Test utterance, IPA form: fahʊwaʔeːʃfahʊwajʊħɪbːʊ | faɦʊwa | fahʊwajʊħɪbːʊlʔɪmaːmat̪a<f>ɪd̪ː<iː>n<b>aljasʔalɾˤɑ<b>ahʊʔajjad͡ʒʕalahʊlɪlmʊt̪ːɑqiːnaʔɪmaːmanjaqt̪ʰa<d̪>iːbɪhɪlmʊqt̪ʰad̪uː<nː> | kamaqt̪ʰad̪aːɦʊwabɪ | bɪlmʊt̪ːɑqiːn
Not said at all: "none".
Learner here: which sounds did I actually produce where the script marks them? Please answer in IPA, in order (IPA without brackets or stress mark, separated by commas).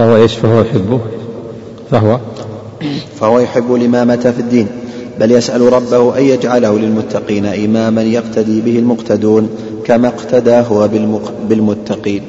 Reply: f, iː, b, bː, d̪, n